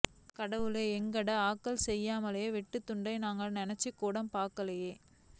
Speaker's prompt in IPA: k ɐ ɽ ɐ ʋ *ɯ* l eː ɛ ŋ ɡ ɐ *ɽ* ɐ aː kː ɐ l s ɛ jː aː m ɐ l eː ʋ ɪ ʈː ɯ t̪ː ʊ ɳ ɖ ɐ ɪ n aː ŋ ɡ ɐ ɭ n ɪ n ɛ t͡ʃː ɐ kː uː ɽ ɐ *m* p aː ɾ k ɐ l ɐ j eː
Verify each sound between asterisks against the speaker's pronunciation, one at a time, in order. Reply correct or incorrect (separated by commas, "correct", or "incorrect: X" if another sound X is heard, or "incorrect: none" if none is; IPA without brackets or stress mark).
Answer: correct, correct, correct